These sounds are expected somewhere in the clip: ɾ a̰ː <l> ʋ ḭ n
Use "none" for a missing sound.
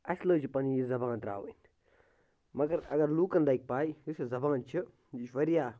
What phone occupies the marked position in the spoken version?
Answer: none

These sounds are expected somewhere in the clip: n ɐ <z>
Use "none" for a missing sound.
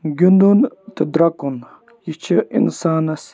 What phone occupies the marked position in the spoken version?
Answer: s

